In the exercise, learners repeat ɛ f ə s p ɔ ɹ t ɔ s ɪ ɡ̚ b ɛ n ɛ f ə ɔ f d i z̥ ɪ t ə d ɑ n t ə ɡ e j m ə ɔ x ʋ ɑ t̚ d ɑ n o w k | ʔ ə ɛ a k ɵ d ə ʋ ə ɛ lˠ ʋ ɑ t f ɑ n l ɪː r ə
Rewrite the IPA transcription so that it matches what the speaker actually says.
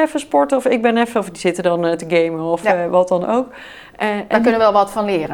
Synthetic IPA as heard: ɛ f ə s p ɔ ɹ t ɔ f ɪ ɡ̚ b ɛ n ɛ f ə ɔ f d i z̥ ɪ t ə d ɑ n t ə ɡ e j m ə ɔ f ʋ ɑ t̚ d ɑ n o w k | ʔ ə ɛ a k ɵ n ə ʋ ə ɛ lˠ ʋ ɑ t f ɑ n l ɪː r ə